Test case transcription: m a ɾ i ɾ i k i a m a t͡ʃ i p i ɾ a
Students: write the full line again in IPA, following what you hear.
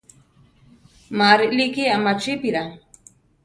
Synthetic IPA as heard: m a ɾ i l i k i a m a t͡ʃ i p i ɾ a